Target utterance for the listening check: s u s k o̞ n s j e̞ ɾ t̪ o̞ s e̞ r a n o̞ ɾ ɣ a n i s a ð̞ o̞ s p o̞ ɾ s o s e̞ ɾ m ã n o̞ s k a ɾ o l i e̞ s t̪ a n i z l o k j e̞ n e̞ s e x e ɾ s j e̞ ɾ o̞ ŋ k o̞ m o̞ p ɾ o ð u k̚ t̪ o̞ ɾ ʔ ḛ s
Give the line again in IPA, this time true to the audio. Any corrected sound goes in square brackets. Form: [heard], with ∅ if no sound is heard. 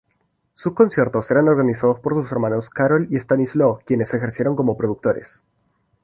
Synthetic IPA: s u s k o̞ n s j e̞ ɾ t̪ o̞ s e̞ [ɾ] a n o̞ ɾ ɣ a n i s a ð̞ o̞ s p o̞ ɾ s [u] s e̞ ɾ m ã n o̞ s k a ɾ o l i e̞ s t̪ a n i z l o k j e̞ n e̞ s e x e ɾ s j e̞ ɾ o̞ ŋ k o̞ m o̞ p ɾ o ð u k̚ t̪ o̞ ɾ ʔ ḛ s